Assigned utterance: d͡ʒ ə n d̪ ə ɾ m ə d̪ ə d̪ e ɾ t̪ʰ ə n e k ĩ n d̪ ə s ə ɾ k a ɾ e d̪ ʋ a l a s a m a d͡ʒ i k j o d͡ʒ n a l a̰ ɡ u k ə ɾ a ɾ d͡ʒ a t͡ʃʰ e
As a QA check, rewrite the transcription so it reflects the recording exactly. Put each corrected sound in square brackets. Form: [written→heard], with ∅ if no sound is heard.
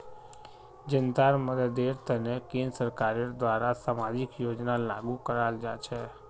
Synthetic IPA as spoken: d͡ʒ ə n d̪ [ə→a] ɾ m ə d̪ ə d̪ e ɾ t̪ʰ ə n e k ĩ n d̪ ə s ə ɾ k a ɾ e d̪ ʋ a [l→ɾ] a s a m a d͡ʒ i k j o d͡ʒ n a l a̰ ɡ u k ə ɾ a [ɾ→l] d͡ʒ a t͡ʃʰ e